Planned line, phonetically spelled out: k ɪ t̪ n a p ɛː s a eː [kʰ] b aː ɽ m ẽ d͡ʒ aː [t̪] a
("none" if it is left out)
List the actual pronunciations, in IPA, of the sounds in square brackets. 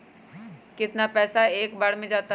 k, t̪

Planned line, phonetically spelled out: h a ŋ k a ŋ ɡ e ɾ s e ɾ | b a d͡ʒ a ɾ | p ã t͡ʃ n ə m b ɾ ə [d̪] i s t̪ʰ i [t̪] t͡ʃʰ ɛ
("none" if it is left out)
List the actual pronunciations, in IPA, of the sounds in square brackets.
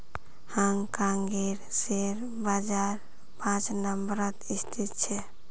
t̪, t̪

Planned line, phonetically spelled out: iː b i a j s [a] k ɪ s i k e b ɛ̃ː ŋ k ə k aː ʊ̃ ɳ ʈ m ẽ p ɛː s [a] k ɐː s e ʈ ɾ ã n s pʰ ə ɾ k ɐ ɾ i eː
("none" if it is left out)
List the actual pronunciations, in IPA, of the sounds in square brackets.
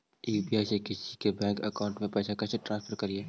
e, a

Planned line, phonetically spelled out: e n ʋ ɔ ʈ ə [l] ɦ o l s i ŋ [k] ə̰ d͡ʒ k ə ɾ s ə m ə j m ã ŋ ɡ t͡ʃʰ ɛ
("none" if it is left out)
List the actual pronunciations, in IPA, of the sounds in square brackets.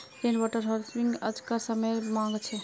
ɾ, ɡ

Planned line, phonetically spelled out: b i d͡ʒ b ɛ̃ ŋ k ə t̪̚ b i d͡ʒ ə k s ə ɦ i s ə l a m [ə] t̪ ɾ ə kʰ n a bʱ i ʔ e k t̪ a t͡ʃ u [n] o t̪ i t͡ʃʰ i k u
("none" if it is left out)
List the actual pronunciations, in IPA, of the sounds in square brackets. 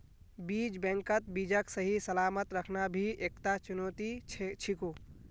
ə, n

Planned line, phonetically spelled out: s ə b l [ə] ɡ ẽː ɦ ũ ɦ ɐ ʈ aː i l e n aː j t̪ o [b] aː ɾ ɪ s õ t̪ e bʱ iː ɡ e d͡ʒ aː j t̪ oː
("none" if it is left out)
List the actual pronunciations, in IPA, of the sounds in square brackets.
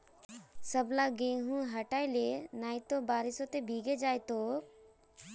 a, b

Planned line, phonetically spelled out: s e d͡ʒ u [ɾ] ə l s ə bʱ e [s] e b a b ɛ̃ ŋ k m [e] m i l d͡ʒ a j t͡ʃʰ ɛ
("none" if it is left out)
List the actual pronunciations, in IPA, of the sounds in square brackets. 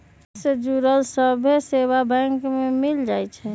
ɾ, s, e

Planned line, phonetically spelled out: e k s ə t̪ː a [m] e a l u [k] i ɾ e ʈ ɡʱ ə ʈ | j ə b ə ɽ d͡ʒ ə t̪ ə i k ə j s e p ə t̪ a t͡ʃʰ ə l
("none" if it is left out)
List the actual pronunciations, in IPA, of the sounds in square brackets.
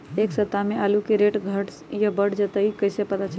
m, k

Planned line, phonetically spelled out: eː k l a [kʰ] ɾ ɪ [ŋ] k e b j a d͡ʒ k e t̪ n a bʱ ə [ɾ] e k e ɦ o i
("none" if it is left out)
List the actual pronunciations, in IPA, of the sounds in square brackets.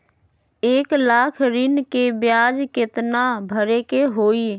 kʰ, n, ɾ

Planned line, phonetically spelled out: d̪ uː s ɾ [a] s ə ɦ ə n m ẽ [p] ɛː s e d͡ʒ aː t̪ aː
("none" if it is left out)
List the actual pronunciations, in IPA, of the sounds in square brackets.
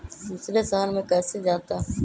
e, k

